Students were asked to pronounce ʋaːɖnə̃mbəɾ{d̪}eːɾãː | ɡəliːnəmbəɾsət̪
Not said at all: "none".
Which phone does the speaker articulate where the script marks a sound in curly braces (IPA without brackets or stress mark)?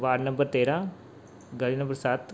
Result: t̪